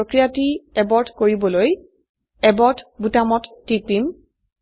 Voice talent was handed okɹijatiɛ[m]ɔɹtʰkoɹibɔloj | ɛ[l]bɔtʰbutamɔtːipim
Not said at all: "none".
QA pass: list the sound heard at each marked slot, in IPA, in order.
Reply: b, none

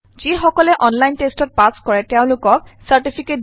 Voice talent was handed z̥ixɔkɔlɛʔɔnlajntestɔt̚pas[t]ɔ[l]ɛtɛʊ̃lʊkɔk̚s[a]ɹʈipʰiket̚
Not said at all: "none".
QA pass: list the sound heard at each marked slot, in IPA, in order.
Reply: k, ɹ, a

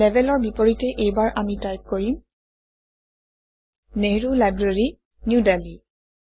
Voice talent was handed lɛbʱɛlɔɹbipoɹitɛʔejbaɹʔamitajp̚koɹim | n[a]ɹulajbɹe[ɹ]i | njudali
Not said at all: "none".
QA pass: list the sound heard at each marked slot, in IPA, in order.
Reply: e, ɹ

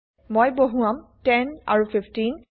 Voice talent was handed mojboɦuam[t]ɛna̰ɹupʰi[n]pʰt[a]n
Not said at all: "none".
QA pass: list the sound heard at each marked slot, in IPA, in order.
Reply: t, none, i

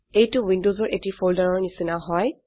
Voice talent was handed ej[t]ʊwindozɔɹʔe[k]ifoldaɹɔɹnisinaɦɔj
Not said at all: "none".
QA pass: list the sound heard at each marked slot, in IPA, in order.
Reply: t, t

